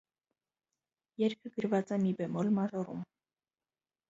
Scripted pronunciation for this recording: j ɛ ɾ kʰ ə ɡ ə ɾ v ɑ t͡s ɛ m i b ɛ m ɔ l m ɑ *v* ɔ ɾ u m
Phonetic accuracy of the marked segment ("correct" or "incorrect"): incorrect